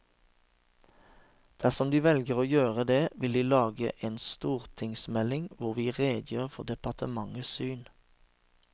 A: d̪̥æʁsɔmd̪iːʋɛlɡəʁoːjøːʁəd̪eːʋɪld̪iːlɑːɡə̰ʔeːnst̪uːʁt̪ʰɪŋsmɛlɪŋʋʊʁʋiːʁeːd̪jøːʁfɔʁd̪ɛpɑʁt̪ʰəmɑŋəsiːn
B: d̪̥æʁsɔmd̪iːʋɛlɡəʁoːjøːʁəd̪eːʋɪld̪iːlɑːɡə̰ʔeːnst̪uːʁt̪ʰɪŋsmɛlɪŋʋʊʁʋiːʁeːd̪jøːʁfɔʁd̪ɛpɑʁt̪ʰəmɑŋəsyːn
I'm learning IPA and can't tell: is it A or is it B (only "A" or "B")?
B